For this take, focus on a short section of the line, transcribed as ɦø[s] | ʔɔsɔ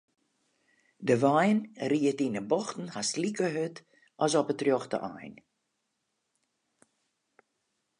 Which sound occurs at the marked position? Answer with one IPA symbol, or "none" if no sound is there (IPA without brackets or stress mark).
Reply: t